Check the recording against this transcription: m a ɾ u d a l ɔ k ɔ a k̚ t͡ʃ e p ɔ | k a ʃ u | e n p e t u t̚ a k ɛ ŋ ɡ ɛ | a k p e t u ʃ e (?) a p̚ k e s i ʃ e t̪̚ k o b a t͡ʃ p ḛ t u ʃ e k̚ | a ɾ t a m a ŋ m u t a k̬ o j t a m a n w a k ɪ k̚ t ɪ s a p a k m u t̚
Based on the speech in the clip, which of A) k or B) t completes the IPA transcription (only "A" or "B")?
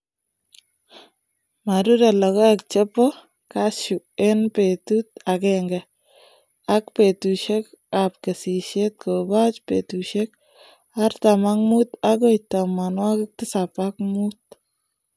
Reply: A